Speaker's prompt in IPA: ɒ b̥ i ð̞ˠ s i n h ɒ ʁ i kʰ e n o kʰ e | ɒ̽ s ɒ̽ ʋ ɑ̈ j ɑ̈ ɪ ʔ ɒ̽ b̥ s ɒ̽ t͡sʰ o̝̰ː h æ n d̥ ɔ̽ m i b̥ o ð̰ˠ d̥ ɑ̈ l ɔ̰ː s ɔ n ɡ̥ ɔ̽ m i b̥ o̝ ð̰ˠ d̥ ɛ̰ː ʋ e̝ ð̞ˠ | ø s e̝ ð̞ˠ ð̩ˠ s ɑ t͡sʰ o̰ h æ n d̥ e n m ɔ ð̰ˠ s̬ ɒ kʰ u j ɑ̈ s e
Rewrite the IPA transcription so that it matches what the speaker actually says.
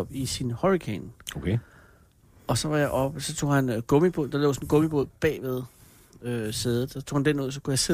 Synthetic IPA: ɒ b̥ i s i n h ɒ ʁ i kʰ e n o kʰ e | ɒ̽ s ɒ̽ ʋ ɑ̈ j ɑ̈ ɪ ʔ ɒ̽ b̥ s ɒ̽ t͡sʰ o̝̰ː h æ n ɡ̥ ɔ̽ m i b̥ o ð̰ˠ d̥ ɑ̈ l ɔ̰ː s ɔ n ɡ̥ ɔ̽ m i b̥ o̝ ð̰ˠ b̥ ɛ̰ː ʋ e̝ ð̞ˠ | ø s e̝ ð̞ˠ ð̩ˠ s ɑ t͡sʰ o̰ h æ n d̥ e n m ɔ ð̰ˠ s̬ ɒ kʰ u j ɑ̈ s e